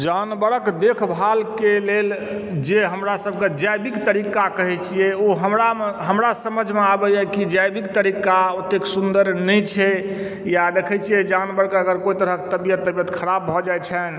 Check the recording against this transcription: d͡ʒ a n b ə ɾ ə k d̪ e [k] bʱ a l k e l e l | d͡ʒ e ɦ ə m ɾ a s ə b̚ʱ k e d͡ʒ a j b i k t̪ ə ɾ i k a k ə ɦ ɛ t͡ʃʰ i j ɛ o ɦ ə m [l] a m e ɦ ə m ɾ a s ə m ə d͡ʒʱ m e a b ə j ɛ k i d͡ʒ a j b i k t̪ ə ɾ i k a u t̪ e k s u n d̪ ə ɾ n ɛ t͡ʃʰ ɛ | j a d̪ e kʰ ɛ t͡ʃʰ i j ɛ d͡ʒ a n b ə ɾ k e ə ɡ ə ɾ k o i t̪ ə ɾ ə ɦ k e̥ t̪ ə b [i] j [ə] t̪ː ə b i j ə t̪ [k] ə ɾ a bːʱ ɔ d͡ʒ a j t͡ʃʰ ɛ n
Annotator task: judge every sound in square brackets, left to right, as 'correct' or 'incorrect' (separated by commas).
incorrect, incorrect, correct, correct, incorrect